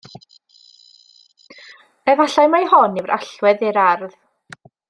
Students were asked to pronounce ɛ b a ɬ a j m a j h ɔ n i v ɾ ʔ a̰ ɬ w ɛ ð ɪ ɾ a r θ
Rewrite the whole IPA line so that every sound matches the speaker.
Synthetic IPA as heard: ɛ v a ɬ a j m a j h ɔ n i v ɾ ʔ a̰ ɬ w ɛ ð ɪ ɾ a r ð